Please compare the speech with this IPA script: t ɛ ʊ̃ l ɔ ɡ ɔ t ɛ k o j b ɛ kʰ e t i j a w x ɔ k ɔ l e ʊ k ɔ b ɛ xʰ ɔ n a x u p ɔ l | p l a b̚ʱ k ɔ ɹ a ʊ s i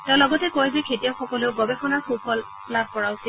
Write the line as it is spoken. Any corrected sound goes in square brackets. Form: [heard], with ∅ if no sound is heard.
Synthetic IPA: t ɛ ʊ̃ l ɔ ɡ ɔ t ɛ k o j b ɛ kʰ e t i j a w x ɔ k ɔ l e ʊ [ɡ] ɔ b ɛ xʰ ɔ n a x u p ɔ l | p l a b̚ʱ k ɔ ɹ a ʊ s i